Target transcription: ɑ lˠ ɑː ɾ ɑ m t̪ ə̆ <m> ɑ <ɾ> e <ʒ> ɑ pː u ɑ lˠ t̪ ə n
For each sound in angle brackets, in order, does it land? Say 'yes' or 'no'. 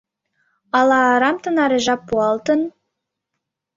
no, yes, yes

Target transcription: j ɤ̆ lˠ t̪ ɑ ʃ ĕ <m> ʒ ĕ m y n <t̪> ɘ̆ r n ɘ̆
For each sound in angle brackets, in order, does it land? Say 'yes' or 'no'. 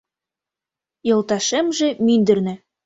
yes, no

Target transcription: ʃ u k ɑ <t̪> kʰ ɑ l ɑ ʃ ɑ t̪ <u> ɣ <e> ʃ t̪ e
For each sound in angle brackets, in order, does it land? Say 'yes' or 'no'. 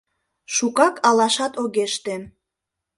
no, no, yes

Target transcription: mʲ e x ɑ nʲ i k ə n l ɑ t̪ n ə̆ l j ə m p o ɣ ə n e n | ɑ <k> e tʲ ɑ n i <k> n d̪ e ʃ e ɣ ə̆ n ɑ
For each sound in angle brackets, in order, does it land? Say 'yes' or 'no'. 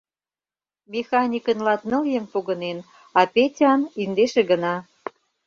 no, no

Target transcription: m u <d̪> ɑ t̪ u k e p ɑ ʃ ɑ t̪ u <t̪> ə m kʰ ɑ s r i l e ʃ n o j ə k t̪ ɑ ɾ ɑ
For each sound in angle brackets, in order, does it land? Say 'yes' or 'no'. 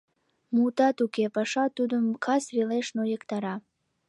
no, no

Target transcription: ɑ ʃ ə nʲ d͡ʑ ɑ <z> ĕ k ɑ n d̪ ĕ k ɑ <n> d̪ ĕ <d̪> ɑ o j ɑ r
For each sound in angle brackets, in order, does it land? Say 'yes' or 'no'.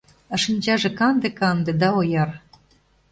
no, yes, yes

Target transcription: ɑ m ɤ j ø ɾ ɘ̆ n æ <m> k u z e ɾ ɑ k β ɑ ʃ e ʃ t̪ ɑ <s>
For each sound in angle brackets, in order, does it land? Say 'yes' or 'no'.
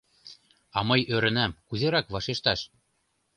yes, no

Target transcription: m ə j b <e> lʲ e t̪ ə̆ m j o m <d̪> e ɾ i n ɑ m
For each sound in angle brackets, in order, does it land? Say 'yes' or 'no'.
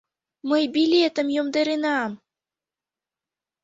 no, yes

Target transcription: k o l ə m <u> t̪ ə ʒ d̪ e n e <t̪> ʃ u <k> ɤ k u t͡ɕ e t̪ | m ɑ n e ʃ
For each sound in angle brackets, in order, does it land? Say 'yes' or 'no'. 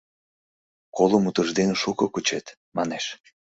yes, no, yes

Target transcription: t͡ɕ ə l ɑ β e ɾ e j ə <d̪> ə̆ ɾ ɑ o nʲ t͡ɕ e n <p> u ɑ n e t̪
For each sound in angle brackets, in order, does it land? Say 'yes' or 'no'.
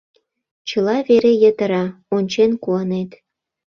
no, no

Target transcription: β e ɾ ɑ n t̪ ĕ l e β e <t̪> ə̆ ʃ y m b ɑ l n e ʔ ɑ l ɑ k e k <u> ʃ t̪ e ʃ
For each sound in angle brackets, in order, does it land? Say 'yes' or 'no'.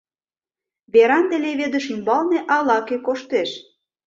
no, no

